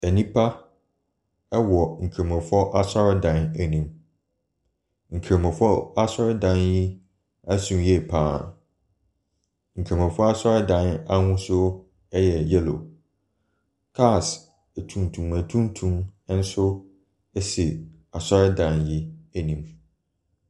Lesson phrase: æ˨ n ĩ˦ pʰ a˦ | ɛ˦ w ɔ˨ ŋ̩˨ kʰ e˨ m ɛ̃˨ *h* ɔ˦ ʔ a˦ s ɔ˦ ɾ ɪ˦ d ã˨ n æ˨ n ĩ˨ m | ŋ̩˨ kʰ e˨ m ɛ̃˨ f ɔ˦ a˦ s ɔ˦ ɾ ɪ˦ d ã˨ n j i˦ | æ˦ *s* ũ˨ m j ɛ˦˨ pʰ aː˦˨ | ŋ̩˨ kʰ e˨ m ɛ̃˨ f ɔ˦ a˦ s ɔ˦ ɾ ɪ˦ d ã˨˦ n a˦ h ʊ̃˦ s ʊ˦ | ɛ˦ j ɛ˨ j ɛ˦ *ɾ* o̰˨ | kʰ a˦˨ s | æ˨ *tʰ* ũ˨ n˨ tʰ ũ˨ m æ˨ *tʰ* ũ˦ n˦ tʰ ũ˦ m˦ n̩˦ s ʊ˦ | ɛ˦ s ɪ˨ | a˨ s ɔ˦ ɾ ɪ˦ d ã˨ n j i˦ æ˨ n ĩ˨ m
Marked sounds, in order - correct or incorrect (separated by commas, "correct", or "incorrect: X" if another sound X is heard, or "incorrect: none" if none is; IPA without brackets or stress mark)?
incorrect: f, correct, incorrect: l, correct, correct